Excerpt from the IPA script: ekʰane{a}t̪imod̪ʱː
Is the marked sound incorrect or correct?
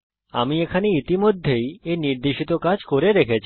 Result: incorrect